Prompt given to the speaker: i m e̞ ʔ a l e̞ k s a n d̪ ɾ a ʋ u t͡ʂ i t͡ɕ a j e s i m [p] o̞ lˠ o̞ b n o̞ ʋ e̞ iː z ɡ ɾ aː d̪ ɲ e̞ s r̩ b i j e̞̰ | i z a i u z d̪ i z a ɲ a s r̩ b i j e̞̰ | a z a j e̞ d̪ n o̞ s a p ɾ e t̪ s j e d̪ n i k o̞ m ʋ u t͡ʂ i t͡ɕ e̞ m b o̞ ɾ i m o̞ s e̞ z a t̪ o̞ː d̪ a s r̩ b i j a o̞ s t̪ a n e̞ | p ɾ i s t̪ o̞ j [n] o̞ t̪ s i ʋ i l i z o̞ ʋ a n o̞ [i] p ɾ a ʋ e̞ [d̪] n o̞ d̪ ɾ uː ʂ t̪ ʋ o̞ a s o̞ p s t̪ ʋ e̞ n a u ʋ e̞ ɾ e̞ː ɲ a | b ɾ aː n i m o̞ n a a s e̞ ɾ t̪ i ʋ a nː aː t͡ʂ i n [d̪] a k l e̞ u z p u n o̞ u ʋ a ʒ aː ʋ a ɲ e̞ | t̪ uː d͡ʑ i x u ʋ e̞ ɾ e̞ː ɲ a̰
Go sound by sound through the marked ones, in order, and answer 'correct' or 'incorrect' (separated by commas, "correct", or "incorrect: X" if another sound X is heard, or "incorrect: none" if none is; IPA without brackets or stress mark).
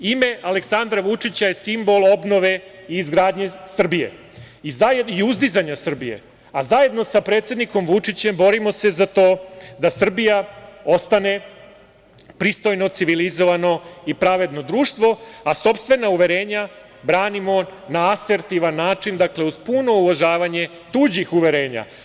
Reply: incorrect: b, correct, correct, correct, correct